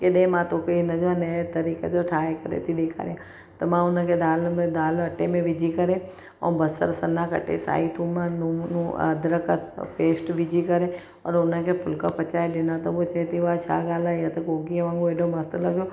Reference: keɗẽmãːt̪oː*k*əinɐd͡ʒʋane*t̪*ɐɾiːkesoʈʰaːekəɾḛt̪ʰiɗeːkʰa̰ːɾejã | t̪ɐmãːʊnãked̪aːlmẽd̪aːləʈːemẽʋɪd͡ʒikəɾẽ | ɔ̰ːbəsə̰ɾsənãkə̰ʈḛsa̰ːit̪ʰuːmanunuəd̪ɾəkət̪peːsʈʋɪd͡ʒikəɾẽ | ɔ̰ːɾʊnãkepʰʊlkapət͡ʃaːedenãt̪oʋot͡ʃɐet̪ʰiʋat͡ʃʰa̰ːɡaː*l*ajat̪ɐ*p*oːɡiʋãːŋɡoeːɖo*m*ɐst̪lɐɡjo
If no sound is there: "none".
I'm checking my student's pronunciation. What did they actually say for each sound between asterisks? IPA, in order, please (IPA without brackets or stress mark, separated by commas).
k, t̪, l, k, m